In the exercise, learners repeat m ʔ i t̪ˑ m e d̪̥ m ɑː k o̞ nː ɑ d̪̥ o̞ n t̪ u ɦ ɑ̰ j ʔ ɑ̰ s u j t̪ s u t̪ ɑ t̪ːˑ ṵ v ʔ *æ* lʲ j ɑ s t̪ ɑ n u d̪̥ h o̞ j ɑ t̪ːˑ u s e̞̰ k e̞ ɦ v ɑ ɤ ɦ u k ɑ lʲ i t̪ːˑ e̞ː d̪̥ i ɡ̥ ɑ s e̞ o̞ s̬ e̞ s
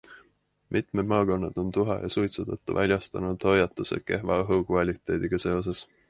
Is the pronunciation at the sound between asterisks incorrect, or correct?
correct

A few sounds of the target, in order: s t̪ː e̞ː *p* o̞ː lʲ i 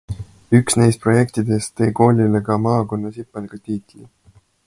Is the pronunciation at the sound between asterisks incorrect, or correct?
incorrect: k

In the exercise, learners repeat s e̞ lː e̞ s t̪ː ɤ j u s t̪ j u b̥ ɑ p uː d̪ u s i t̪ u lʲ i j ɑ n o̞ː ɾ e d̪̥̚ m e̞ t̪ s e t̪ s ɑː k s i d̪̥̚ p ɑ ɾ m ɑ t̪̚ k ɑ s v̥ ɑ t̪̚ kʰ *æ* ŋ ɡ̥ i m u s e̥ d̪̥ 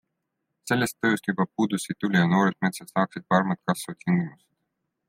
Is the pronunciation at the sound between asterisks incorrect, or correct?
incorrect: i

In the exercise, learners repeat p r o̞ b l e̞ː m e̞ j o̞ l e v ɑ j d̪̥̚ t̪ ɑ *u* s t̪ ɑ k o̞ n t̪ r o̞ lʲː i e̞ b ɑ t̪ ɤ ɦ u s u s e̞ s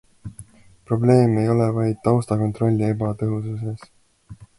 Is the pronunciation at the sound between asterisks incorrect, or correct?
incorrect: w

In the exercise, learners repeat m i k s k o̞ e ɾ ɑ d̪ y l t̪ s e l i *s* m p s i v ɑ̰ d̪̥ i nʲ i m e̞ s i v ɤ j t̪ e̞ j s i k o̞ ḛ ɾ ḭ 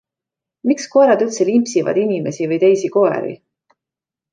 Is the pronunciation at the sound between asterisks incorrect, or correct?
incorrect: none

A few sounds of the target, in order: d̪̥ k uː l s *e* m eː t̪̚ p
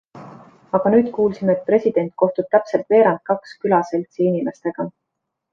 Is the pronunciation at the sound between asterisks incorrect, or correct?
incorrect: i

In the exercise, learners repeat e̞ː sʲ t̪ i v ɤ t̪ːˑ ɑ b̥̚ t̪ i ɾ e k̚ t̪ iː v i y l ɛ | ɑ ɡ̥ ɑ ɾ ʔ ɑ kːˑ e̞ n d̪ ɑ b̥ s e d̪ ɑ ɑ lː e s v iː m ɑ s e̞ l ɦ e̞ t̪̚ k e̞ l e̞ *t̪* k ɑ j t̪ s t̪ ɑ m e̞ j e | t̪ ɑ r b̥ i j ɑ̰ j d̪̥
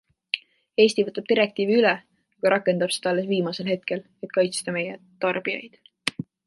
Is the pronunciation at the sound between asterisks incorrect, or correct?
correct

